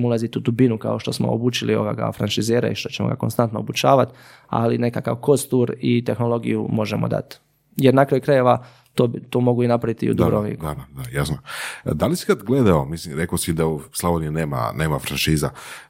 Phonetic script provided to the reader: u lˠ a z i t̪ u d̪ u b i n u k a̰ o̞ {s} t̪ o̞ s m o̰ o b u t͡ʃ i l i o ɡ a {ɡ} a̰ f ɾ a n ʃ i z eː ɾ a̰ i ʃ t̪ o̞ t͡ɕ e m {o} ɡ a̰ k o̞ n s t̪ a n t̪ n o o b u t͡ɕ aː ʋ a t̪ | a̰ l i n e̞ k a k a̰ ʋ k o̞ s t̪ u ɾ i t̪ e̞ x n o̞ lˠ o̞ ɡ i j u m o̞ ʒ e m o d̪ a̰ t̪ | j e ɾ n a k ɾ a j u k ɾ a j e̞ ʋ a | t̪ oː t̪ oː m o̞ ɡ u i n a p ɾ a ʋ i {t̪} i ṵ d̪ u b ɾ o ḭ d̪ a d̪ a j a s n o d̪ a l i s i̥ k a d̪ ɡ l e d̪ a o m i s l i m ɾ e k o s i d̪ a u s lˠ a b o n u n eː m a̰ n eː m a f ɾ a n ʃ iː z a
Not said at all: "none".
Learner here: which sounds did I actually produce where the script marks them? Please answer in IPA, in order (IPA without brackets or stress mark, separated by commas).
ʃ, ɡ, o, t̪